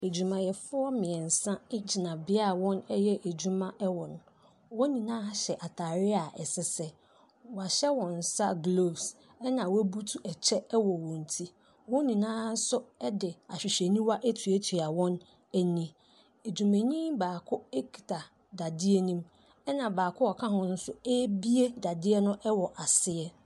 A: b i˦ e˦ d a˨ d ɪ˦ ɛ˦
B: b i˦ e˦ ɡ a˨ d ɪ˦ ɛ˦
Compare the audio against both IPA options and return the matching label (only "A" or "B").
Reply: A